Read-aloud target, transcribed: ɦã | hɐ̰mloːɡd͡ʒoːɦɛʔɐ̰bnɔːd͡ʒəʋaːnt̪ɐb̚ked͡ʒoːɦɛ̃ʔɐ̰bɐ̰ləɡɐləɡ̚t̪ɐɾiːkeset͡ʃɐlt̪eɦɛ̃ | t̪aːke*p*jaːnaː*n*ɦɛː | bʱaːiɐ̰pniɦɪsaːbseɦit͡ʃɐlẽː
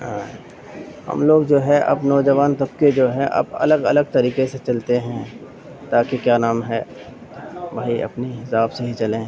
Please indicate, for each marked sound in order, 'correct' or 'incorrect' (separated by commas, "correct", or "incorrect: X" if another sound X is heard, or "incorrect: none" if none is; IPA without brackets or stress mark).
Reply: incorrect: k, incorrect: m